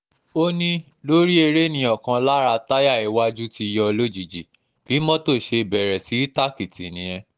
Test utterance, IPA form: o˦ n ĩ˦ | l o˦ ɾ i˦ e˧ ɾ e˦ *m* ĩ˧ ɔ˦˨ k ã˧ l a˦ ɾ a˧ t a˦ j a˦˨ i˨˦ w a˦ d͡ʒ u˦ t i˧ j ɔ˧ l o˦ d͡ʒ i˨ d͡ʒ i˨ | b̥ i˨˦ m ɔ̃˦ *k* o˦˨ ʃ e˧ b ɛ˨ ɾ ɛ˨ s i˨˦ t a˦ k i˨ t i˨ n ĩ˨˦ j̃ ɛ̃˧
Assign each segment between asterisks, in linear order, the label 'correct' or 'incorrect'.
incorrect, incorrect

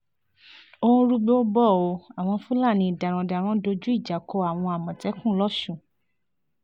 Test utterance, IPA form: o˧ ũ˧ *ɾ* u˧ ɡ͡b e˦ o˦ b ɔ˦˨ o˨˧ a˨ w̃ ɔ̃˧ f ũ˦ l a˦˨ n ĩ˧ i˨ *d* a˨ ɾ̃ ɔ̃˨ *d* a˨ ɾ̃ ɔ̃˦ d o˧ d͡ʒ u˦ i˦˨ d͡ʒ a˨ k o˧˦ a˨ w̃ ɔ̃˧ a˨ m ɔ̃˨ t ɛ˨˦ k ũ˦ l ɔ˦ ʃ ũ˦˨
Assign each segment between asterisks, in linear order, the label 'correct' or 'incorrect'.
correct, correct, correct

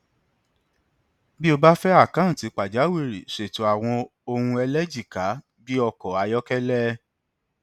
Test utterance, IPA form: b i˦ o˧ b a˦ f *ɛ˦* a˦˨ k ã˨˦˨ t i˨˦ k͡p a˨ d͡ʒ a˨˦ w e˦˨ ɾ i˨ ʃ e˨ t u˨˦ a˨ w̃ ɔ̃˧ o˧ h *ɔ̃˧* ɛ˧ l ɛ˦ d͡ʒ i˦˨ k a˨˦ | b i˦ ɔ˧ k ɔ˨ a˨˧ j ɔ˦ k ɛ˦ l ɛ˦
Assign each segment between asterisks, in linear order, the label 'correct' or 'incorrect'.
correct, incorrect

